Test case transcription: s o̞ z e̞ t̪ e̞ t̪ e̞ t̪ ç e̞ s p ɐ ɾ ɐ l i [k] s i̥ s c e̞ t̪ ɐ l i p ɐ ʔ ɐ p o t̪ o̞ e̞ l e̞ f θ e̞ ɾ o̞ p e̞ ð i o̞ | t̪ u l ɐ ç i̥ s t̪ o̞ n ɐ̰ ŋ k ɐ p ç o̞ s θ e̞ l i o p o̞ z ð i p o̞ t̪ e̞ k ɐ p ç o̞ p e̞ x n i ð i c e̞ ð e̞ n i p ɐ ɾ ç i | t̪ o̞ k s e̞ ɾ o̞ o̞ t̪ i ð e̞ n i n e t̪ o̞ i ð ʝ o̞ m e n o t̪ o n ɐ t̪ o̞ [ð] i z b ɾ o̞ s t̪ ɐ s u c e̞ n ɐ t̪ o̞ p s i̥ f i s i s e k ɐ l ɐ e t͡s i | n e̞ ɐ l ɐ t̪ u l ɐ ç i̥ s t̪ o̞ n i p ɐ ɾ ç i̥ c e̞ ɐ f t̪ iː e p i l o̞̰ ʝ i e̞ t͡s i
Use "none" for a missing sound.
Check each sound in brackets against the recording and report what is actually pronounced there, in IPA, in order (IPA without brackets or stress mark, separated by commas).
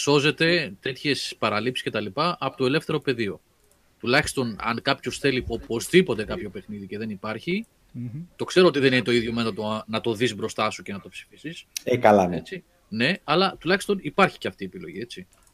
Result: p, ð